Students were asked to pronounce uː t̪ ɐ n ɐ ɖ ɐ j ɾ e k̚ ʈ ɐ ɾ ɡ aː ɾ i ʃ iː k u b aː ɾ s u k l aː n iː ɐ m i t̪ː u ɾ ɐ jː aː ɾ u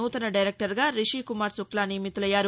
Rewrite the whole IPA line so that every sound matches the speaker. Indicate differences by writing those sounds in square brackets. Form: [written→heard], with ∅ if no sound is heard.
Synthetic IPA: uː t̪ ɐ n ɐ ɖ ɐ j ɾ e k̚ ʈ ɐ ɾ ɡ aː ɾ i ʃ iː k u [b→m] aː ɾ s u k l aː n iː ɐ m i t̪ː u [ɾ→l] ɐ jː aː ɾ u